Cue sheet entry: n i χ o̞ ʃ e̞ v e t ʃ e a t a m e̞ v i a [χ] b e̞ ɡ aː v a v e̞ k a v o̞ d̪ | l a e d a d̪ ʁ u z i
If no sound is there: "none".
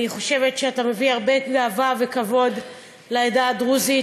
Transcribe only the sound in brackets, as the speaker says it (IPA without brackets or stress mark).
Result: ʁ